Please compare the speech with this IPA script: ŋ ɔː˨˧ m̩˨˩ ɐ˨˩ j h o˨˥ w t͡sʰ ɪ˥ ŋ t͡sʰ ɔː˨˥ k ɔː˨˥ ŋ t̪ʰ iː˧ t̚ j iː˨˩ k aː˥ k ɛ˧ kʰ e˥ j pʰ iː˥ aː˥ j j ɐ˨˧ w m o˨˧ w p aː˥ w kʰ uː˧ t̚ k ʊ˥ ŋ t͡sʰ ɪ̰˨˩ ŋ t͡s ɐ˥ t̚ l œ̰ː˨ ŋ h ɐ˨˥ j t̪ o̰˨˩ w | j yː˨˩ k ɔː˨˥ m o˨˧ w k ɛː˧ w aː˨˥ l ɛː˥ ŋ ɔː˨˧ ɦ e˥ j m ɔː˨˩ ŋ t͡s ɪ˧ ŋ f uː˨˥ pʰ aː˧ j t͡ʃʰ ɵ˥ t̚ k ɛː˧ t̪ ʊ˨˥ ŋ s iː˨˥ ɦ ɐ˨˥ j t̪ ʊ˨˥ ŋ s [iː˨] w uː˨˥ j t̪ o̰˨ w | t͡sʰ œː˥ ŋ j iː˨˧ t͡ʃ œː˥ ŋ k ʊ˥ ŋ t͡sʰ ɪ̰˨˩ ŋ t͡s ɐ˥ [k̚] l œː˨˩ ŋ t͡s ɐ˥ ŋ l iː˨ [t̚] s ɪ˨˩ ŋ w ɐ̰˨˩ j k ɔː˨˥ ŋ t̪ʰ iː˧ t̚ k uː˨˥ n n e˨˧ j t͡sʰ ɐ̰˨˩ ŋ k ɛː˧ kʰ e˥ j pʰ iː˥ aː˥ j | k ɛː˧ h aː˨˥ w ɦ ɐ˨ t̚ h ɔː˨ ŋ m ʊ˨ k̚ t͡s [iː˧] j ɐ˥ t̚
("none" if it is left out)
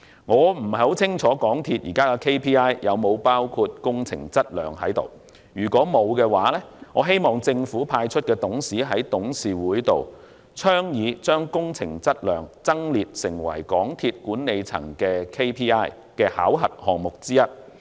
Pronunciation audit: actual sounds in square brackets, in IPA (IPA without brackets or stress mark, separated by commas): iː˨, t̚, t̚, iː˥